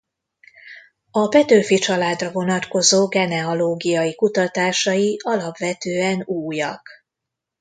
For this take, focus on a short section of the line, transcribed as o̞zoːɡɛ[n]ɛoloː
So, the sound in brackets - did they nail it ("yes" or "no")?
yes